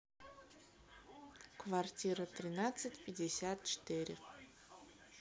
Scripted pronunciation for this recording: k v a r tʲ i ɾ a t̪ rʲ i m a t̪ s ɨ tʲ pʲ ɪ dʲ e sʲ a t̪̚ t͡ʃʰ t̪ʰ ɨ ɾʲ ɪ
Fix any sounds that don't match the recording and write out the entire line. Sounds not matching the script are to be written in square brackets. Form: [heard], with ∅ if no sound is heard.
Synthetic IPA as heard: k v a r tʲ i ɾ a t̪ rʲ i [n] a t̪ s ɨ tʲ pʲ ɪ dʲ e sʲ a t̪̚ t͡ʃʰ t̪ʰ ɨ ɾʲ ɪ